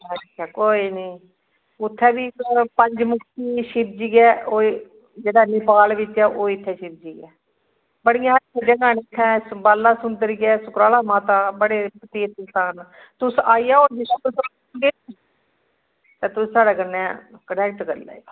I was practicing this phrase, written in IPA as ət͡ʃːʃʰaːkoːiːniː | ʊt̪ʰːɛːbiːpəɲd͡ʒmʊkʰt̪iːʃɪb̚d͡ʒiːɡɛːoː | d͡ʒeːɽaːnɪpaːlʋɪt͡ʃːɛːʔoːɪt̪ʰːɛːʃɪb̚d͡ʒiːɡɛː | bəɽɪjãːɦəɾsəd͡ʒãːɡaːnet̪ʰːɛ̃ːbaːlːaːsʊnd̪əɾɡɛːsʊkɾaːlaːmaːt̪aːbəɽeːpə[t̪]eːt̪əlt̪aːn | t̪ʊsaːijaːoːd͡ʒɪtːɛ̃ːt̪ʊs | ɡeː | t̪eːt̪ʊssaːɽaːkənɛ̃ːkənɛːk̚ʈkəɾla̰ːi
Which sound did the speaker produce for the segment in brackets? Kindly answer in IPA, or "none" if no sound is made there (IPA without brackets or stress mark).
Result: t̪